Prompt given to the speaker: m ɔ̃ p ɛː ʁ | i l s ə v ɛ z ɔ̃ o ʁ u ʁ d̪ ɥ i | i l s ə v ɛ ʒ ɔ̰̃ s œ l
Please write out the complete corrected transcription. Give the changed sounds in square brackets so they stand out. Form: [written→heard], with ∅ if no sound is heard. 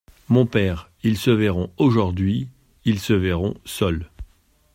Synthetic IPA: m ɔ̃ p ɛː ʁ | i l s ə v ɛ [z→ʁ] ɔ̃ o [ʁ→ʒ] u ʁ d̪ ɥ i | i l s ə v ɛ [ʒ→ʁ] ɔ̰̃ s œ l